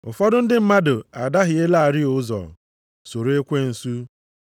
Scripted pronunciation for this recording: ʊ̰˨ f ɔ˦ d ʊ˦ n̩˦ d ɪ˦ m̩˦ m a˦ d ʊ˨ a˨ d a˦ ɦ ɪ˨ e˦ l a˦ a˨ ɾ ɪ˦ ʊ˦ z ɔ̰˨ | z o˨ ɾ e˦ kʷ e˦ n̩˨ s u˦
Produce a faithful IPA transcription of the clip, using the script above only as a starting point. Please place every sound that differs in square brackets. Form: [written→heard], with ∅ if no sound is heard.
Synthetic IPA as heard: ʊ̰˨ f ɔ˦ d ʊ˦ n̩˦ d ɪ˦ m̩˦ m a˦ d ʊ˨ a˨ d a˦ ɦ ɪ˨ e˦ l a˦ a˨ ɾ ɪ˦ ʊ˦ z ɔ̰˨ | [z→s] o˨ ɾ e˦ kʷ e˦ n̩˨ s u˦